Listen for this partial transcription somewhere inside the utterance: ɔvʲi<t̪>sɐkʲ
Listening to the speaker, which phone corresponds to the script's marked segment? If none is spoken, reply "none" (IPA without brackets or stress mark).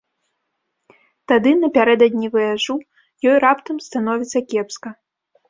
t̪